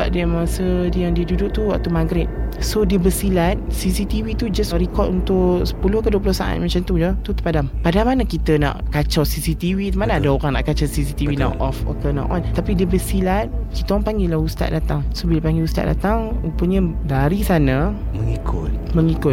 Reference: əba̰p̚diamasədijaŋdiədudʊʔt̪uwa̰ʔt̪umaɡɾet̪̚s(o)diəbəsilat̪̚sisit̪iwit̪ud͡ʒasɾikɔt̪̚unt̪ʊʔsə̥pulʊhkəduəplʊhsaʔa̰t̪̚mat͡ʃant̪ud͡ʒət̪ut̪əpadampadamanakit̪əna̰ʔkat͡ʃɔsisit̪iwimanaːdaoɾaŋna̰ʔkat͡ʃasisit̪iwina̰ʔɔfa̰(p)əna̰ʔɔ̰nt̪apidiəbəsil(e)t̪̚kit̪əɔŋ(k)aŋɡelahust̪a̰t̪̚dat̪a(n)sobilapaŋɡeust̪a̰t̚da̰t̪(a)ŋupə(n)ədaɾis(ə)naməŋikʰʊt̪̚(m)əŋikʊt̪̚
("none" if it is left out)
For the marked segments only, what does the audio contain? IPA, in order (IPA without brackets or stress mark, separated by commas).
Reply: o, k, a, p, ŋ, a, ɲ, a, m